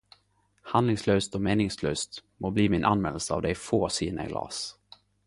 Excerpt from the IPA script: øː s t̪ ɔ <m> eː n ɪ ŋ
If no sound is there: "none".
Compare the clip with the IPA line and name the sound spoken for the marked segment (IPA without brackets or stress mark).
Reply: m